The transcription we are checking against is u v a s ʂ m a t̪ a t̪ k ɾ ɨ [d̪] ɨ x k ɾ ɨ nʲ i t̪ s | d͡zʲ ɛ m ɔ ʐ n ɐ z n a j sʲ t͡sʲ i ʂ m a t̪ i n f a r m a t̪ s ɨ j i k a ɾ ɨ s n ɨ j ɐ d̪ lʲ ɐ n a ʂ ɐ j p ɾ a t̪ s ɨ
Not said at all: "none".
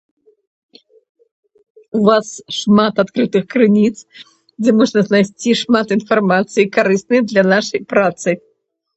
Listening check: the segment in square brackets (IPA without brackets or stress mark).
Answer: t̪